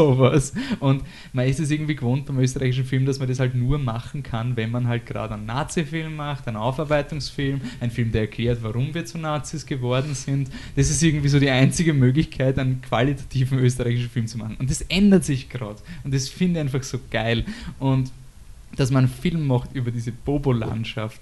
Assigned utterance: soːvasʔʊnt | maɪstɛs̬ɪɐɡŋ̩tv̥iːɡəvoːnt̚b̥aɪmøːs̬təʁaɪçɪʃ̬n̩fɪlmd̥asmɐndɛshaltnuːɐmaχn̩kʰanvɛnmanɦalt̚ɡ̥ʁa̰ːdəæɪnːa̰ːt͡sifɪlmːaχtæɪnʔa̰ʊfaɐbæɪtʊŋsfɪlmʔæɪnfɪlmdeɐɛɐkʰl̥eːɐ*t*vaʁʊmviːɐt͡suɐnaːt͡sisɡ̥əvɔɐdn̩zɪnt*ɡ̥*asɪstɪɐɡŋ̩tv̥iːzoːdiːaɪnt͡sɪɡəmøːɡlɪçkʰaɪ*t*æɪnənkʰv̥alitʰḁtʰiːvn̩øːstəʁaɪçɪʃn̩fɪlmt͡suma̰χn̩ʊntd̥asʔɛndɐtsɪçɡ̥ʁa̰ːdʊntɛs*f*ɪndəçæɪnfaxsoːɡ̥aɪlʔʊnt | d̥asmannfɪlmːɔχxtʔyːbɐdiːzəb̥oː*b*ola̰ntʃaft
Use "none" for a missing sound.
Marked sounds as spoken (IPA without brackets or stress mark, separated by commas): t, d̥, t, f, b